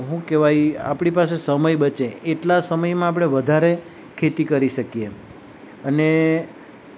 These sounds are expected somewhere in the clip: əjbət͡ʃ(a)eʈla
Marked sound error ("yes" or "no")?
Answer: yes